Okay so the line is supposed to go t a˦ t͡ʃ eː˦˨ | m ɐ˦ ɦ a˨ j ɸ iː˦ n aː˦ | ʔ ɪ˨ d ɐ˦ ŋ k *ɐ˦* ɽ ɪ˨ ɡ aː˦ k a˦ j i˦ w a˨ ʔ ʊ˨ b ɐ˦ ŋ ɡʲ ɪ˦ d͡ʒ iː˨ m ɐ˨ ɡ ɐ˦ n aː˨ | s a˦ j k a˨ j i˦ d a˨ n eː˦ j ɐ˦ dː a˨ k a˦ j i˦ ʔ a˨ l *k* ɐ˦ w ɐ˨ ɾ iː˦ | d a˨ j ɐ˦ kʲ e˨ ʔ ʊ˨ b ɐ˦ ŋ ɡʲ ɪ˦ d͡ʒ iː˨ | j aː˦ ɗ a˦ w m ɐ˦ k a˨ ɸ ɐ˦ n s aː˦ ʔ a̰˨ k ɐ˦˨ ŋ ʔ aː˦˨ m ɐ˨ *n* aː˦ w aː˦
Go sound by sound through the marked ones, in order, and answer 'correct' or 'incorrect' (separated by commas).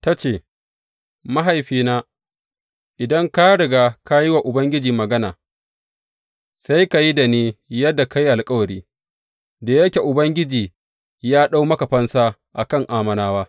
incorrect, incorrect, correct